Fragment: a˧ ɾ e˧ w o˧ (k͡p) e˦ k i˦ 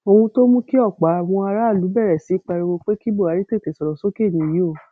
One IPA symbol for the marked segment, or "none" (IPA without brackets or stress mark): k͡p